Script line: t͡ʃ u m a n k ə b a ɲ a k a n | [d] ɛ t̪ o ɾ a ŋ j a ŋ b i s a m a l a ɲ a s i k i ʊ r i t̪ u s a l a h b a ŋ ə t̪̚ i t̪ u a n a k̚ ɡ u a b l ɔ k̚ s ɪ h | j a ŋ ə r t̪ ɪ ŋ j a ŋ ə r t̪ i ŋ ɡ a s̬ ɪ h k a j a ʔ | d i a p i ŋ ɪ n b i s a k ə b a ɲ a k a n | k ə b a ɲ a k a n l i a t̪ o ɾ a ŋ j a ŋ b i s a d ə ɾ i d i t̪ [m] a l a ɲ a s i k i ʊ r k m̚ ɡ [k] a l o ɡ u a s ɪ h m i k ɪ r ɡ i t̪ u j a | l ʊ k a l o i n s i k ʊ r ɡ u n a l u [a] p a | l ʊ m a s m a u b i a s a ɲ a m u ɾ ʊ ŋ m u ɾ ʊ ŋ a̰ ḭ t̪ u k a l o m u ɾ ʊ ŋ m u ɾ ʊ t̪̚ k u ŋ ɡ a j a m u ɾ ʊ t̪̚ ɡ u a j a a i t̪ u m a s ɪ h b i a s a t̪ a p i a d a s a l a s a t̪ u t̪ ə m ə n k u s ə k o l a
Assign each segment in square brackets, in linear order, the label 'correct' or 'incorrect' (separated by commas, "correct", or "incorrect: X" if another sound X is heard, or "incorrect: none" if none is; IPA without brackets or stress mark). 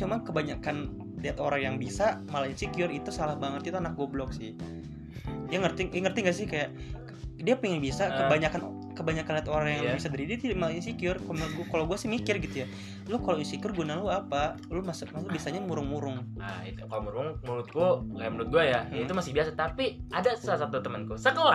correct, correct, correct, correct